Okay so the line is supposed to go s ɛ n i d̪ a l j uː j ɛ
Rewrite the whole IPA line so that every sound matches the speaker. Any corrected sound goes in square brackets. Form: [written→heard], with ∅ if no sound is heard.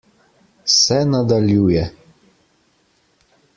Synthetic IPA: s ɛ n [i→a] d̪ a l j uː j ɛ